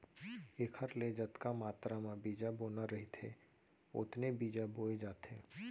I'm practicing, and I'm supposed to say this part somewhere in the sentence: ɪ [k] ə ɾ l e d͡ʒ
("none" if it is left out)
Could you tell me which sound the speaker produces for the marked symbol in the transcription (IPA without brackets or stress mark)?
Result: kʰ